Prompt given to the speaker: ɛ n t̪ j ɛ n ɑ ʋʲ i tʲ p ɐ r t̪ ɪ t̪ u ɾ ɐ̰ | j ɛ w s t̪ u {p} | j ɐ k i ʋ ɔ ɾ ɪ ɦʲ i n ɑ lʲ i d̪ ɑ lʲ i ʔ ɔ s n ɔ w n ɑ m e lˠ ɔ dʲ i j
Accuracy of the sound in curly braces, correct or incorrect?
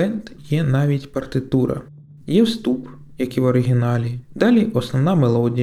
correct